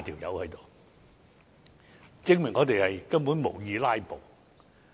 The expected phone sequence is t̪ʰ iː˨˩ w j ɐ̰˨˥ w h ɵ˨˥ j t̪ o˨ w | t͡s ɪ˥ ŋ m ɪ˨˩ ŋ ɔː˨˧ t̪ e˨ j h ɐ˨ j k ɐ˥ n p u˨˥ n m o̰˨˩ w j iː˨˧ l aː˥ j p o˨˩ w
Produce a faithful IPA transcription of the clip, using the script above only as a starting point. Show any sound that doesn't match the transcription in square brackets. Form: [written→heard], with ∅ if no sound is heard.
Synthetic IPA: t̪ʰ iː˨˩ w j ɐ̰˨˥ w h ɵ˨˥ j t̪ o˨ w | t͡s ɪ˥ ŋ m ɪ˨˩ ŋ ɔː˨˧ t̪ e˨ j h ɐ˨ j k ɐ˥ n p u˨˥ n m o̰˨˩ w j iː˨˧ l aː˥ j p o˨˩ w